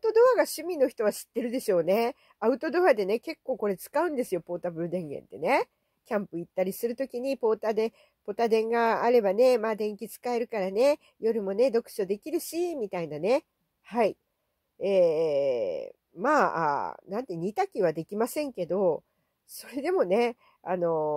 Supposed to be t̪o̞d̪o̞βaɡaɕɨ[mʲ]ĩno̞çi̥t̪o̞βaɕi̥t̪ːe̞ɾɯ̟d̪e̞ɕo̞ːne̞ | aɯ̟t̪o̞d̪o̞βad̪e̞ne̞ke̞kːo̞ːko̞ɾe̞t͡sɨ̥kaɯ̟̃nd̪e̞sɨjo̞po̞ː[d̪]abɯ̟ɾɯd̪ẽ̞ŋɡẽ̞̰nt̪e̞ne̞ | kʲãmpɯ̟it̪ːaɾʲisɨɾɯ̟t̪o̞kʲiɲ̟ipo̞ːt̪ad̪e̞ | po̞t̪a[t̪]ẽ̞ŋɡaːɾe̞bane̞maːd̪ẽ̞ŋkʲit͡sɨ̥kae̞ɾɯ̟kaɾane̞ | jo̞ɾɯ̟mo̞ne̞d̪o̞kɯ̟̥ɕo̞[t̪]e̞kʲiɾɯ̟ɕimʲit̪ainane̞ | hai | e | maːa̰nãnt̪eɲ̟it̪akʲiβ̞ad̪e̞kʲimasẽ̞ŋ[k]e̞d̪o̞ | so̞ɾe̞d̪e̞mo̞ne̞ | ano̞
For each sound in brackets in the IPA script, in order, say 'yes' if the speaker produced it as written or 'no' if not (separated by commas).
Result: yes, no, no, no, yes